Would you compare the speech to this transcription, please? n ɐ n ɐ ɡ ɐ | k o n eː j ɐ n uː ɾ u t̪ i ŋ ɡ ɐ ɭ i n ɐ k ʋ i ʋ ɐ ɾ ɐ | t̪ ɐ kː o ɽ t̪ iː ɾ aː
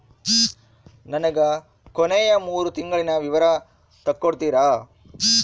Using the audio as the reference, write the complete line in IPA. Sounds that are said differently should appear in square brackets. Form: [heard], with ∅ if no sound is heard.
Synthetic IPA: n ɐ n ɐ ɡ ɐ | k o n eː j ɐ [m] uː ɾ u t̪ i ŋ ɡ ɐ ɭ i n ɐ [∅] ʋ i ʋ ɐ ɾ ɐ | t̪ ɐ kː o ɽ t̪ iː ɾ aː